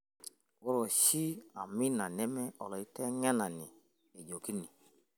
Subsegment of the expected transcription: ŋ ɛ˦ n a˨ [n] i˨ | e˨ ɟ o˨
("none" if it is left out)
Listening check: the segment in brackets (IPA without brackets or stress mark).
n